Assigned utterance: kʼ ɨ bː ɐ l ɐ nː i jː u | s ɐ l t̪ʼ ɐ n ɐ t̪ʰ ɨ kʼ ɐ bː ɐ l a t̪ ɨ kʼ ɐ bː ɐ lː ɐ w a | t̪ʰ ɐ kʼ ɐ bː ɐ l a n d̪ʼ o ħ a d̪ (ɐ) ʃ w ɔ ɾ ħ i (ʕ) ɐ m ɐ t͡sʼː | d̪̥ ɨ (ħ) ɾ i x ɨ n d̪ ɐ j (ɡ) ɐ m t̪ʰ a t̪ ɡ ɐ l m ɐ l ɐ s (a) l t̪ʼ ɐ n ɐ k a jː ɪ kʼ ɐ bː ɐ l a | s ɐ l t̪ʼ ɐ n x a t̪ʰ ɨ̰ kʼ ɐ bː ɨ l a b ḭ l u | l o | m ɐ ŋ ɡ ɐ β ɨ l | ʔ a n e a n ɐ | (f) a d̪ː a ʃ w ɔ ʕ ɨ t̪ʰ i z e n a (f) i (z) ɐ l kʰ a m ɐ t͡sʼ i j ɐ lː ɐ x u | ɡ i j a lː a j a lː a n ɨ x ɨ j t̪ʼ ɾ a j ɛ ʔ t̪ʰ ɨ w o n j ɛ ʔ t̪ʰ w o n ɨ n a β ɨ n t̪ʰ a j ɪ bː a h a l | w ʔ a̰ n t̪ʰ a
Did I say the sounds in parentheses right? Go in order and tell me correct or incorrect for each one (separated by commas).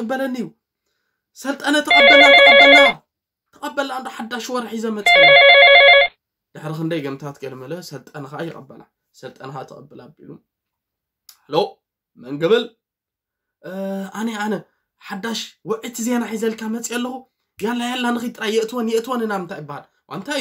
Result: incorrect, incorrect, correct, correct, incorrect, incorrect, incorrect, correct